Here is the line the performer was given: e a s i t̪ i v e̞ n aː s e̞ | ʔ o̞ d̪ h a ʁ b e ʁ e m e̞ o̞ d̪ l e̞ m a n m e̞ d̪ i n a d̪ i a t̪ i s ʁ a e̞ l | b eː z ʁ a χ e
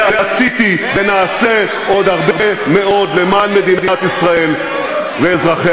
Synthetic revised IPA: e a s i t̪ i v e̞ n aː s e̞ | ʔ o̞ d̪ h a ʁ b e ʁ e m e̞ o̞ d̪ l e̞ m a n m e̞ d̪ i n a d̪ i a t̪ i s ʁ a e̞ l | v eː z ʁ a χ e

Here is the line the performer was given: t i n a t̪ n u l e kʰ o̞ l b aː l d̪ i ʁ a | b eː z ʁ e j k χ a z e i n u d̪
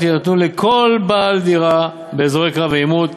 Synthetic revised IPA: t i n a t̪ n u l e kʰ o̞ l b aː l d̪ i ʁ a | b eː z ʁ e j k ʁ a v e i m u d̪

